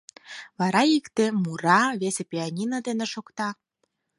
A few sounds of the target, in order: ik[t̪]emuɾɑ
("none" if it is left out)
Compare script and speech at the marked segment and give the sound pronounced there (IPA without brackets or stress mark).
t̪